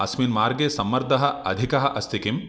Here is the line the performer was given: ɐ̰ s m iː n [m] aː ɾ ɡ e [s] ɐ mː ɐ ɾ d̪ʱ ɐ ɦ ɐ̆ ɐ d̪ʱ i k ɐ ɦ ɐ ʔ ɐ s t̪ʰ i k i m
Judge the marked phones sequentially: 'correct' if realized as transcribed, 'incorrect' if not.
correct, correct

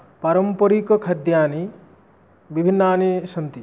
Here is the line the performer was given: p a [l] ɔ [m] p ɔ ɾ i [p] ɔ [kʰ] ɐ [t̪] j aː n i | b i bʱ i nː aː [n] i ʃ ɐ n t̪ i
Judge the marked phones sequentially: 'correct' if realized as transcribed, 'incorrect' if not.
incorrect, correct, incorrect, correct, incorrect, correct

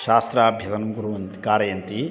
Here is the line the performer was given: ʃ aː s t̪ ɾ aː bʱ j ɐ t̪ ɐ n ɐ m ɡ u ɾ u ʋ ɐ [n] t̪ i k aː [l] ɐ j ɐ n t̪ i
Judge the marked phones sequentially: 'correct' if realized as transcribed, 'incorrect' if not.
correct, incorrect

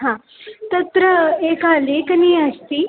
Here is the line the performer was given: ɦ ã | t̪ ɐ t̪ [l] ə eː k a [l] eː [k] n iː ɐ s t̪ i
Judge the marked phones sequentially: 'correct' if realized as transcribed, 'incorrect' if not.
incorrect, correct, correct

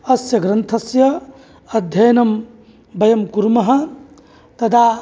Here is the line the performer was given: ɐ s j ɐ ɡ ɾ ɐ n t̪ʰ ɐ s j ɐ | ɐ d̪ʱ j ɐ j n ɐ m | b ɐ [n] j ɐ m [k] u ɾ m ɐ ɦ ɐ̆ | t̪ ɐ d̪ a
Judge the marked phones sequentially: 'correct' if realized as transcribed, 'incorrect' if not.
incorrect, correct

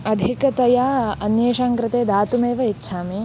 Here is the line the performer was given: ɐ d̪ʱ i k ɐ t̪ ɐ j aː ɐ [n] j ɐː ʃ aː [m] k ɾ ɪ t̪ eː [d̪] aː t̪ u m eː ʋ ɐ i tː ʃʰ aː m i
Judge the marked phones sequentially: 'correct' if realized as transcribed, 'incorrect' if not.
correct, incorrect, correct

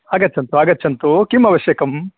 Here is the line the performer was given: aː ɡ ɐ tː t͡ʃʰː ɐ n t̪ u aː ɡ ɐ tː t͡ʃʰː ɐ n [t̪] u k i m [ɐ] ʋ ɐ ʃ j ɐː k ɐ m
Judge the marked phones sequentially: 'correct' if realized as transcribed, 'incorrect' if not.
correct, correct

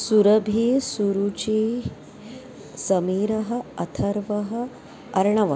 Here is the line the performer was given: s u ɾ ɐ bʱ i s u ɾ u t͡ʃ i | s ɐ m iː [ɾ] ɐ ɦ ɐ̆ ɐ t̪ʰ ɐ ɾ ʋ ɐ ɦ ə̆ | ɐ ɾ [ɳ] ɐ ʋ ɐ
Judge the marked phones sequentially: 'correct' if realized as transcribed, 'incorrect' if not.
correct, correct

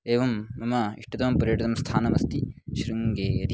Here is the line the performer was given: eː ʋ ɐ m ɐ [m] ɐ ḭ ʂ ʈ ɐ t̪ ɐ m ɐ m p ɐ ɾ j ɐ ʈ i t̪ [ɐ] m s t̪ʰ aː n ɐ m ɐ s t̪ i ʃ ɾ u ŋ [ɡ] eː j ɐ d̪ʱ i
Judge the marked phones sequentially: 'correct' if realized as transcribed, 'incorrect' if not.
correct, correct, correct

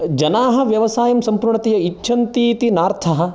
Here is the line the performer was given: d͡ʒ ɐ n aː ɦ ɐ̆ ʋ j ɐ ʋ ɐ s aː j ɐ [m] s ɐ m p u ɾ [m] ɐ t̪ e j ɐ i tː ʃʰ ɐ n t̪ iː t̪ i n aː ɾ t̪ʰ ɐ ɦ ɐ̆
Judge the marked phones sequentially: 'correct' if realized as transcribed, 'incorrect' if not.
correct, incorrect

